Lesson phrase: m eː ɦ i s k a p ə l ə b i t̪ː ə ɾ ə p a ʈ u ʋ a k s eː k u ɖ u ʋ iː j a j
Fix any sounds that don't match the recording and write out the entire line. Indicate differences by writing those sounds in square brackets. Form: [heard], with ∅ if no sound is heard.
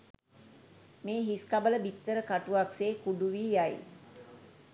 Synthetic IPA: m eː ɦ i s k a [b] ə l ə b i t̪ː ə ɾ ə [k] a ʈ u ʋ a k s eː k u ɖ u ʋ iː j a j